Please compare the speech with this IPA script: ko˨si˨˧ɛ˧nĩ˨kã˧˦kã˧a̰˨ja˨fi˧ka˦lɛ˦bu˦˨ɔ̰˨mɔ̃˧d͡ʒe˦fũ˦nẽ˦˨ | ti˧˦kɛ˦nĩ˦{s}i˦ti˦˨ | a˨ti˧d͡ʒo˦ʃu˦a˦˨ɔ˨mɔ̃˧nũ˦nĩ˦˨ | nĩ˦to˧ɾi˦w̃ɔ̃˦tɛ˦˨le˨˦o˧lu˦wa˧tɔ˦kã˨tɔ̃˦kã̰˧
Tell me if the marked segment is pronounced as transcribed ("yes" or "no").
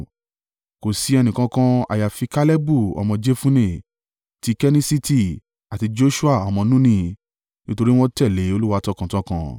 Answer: yes